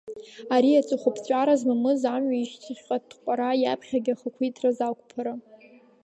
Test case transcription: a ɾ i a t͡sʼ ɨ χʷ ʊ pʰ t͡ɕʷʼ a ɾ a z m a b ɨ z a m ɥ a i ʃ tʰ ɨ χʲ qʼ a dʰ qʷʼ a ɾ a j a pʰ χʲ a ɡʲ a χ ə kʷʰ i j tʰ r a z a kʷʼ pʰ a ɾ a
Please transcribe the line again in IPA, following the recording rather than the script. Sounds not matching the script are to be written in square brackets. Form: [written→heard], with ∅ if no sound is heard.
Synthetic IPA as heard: a ɾ i a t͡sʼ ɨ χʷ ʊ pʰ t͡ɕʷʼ a ɾ a z m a [b→m] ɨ z a m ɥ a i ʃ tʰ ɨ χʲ qʼ a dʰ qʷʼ a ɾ a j a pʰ χʲ a ɡʲ a χ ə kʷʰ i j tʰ r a z a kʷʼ pʰ a ɾ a